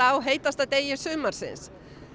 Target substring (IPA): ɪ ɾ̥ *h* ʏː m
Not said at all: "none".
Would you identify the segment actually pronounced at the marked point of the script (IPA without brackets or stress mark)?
s